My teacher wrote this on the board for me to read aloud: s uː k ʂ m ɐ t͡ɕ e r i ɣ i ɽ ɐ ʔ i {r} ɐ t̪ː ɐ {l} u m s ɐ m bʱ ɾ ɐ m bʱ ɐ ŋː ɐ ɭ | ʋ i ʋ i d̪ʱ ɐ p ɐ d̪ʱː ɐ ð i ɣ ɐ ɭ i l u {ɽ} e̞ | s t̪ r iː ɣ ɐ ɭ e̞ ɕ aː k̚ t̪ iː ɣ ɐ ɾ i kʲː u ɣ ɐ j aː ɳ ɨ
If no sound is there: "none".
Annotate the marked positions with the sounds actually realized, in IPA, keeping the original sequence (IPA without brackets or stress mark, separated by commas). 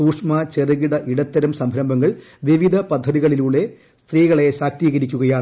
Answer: ɽ, ɾ, ɭ